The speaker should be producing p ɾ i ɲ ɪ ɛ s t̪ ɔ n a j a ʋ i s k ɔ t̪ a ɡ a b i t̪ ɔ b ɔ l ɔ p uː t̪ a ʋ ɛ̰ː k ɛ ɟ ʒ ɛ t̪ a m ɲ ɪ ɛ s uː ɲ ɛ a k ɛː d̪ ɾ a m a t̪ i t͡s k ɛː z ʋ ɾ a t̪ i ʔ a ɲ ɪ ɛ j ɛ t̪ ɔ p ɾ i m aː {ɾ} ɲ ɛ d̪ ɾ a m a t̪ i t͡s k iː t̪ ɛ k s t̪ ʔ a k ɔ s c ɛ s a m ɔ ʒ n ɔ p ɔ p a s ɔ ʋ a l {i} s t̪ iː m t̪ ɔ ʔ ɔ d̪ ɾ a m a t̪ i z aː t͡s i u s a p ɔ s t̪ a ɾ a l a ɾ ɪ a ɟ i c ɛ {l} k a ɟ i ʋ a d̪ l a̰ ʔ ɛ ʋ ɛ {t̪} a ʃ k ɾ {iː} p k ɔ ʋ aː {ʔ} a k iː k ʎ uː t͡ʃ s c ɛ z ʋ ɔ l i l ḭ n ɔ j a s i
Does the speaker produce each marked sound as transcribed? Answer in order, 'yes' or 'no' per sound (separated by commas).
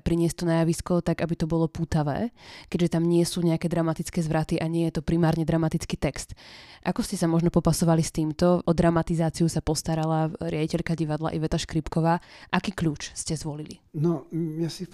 yes, yes, no, yes, no, yes